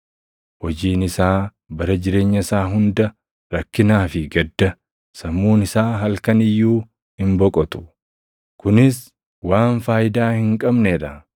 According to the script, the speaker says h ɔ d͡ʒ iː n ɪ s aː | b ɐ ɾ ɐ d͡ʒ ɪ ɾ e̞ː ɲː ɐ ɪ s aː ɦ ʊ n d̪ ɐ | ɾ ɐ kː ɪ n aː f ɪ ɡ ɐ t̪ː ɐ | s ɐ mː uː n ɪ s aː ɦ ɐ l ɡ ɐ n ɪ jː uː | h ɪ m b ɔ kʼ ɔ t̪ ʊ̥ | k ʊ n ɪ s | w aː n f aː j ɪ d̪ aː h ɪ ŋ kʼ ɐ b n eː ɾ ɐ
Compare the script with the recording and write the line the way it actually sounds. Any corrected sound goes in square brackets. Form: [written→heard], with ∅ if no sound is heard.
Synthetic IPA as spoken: h ɔ d͡ʒ iː n ɪ s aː | b ɐ ɾ ɐ d͡ʒ ɪ ɾ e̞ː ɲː ɐ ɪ s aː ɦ ʊ n d̪ ɐ | ɾ ɐ kː ɪ n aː f ɪ ɡ ɐ [t̪ː→d̪ː] ɐ | s ɐ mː uː n ɪ s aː ɦ ɐ l [ɡ→k] ɐ n ɪ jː uː | h ɪ m b ɔ kʼ ɔ t̪ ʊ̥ | k ʊ n ɪ s | w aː n f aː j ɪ d̪ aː h ɪ ŋ kʼ ɐ b n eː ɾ ɐ